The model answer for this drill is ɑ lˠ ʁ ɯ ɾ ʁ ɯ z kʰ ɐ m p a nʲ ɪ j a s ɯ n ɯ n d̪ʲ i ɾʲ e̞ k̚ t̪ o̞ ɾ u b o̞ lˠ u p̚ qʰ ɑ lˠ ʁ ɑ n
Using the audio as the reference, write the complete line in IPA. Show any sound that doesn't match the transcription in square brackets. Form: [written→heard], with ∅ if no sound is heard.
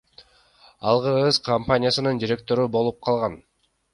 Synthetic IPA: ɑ lˠ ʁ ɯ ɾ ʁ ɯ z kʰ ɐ m p a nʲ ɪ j a s ɯ n ɯ n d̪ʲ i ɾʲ e̞ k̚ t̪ o̞ ɾ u b o̞ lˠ u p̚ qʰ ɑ lˠ ʁ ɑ n